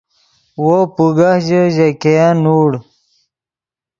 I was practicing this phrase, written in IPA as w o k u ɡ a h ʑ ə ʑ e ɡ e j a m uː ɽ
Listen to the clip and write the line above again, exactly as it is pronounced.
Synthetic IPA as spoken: w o p u ɡ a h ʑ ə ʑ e k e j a n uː ɽ